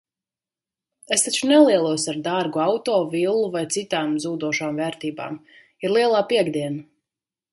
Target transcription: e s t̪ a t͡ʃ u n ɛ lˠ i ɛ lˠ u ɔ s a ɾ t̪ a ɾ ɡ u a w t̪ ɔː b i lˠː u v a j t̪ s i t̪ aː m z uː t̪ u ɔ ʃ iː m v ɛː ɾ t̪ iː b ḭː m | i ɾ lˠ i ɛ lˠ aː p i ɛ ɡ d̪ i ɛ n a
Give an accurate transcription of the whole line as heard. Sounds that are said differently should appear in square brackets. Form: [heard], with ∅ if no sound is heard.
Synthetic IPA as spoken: e s t̪ a t͡ʃ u n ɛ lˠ i ɛ lˠ u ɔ s a ɾ [d̪] a ɾ ɡ u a w t̪ ɔː [v] i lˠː u v a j t̪ s i t̪ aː m z uː [d̪] u ɔ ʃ [aː] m v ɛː ɾ t̪ iː b [a̰ː] m | i ɾ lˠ i ɛ lˠ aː p i ɛ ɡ d̪ i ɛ n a